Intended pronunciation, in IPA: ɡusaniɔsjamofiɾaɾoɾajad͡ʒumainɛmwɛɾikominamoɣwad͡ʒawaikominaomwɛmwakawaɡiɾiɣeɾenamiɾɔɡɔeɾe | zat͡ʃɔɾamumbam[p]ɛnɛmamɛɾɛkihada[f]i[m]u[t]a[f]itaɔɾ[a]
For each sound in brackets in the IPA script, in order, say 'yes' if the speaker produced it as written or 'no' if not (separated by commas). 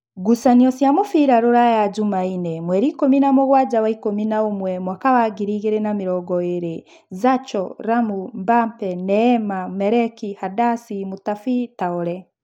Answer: yes, no, yes, yes, yes, no